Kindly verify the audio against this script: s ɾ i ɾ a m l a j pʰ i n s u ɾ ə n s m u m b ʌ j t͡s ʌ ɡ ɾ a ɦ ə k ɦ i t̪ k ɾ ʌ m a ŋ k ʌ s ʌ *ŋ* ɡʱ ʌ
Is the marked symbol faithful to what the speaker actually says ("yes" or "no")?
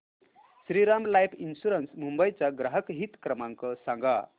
yes